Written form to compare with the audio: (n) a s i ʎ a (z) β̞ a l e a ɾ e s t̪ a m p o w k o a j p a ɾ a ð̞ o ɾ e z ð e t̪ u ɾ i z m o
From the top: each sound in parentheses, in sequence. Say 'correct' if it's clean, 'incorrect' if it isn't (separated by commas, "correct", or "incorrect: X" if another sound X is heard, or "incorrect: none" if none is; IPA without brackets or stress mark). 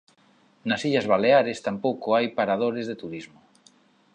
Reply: correct, correct